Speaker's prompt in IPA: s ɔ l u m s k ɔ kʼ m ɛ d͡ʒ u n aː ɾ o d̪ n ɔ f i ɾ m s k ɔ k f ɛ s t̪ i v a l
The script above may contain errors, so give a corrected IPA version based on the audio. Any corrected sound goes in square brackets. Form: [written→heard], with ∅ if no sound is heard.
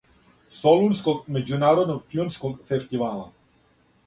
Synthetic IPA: s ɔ l u [m→n] s k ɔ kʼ m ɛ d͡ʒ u n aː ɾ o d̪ n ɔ f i [ɾ→l] m s k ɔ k f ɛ s t̪ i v a l